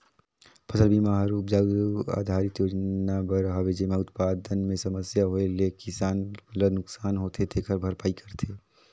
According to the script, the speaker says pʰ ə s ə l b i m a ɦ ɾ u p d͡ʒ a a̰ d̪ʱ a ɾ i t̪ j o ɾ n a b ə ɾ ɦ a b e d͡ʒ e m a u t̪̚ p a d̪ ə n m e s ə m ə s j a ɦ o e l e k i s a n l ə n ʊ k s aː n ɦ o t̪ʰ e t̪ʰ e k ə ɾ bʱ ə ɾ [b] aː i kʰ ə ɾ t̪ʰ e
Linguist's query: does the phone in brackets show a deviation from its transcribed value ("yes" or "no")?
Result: yes